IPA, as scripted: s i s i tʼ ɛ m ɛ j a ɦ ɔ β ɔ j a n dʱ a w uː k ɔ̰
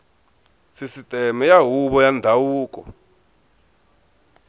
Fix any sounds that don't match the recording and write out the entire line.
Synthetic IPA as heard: s i s i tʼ ɛ m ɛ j a ɦ u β ɔ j a n dʱ a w uː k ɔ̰

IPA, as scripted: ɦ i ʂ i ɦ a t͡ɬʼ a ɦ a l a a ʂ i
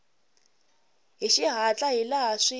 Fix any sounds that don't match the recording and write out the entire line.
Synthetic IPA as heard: ɦ i ʃ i ɦ a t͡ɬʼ a ɦ i l a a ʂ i

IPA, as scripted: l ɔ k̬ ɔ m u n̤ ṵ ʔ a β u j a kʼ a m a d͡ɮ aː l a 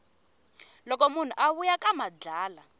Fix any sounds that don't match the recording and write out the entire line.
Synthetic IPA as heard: l ɔ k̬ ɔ m u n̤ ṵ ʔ a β u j a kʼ a m a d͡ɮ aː l a

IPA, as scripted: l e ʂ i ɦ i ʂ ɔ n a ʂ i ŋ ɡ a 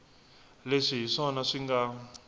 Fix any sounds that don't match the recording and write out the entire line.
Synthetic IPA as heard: l e ʂ i ɦ i ʂ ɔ n a ʂ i ŋ ɡ a

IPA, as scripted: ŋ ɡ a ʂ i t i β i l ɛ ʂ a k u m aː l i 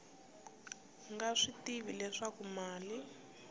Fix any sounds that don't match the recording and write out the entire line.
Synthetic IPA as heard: ŋ ɡ a ʂ i t i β i l ɛ ʂ a k u m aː l i

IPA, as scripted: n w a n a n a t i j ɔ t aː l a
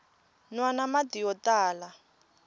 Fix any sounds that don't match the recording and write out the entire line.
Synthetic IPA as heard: n w a n a m a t i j ɔ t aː l a

